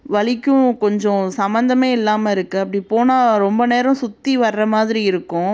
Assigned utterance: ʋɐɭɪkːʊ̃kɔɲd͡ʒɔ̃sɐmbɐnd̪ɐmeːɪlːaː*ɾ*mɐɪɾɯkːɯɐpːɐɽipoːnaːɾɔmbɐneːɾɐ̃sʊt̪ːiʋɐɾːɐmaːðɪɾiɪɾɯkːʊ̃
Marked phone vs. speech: incorrect: none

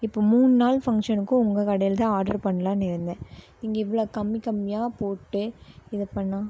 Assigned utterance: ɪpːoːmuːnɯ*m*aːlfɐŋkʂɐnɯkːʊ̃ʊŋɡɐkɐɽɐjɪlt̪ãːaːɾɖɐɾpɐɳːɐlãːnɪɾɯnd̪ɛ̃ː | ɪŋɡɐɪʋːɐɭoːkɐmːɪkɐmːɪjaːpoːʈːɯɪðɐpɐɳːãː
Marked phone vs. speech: incorrect: n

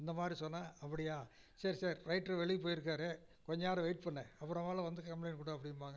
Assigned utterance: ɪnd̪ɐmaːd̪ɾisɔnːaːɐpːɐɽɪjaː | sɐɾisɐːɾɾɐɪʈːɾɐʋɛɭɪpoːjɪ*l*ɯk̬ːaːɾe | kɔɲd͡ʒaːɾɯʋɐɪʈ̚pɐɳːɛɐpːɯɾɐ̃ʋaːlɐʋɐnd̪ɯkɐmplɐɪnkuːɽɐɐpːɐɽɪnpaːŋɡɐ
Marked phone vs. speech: incorrect: ɾ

